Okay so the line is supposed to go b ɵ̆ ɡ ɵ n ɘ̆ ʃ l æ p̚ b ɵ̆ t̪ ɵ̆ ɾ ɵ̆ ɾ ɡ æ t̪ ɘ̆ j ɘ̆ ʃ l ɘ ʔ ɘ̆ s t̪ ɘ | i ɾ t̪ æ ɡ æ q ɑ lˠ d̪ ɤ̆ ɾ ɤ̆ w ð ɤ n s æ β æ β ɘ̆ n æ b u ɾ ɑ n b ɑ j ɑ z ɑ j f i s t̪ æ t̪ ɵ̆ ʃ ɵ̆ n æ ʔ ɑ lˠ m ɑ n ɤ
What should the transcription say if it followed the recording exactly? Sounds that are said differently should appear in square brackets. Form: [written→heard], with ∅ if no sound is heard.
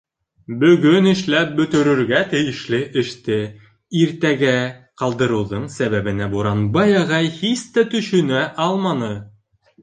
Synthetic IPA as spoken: b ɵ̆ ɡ ɵ n ɘ̆ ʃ l æ p̚ b ɵ̆ t̪ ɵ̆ ɾ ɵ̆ ɾ ɡ æ t̪ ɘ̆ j ɘ̆ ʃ l ɘ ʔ ɘ̆ [s→ʃ] t̪ ɘ | i ɾ t̪ æ ɡ æ q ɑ lˠ d̪ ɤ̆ ɾ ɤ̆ w ð ɤ [n→ɴ] s æ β æ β ɘ̆ n æ b u ɾ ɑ n b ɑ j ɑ [z→ʁ] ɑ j [f→h] i s t̪ æ t̪ ɵ̆ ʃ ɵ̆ n æ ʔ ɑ lˠ m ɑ n ɤ